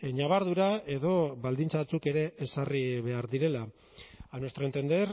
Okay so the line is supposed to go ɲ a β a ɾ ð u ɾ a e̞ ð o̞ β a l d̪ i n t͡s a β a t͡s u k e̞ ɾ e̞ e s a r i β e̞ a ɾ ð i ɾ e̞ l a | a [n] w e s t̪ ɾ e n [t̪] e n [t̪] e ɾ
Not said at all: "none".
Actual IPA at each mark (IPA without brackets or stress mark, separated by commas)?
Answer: n, t̪, d̪